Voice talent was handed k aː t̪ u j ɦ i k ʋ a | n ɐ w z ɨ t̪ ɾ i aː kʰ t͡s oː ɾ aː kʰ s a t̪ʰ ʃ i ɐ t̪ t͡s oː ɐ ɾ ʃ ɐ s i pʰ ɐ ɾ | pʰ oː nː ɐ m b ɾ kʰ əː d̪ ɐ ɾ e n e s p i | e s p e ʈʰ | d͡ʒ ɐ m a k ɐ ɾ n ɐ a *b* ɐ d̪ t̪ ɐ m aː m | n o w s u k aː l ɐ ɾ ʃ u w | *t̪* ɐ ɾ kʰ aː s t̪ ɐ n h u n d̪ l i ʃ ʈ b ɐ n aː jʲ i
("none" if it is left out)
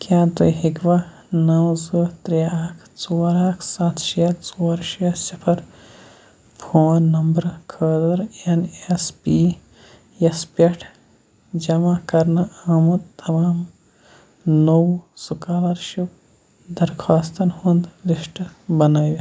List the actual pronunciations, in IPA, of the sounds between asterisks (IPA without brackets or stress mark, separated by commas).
m, d̪